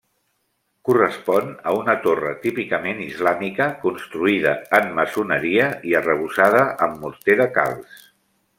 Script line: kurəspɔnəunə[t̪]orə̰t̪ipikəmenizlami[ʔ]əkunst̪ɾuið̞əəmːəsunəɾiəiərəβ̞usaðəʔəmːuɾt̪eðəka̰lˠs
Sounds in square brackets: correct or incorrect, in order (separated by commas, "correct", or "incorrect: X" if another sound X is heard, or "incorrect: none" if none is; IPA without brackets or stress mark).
correct, incorrect: k